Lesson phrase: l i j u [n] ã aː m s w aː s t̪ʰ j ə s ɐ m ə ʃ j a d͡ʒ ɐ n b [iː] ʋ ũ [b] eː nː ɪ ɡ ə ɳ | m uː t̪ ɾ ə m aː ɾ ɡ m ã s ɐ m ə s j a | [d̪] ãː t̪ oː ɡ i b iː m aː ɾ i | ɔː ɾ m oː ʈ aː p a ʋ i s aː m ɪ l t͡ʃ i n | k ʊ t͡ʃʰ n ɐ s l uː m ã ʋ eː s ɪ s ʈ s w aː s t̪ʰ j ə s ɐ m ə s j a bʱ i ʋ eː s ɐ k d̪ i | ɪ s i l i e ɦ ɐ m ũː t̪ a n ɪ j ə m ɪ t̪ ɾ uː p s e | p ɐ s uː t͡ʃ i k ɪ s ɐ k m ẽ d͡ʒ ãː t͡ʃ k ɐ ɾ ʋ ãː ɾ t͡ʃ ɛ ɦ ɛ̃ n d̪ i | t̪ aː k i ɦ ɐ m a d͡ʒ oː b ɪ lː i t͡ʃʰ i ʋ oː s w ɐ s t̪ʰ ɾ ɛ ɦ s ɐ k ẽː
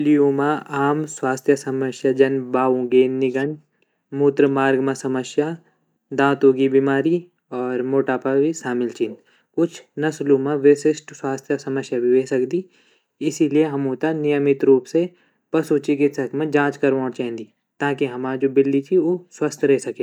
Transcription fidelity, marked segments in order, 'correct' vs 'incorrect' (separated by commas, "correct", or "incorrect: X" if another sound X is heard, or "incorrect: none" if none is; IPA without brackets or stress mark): incorrect: m, incorrect: aː, incorrect: ɡ, correct